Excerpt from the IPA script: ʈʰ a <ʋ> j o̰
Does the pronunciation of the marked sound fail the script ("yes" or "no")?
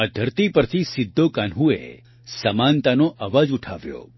no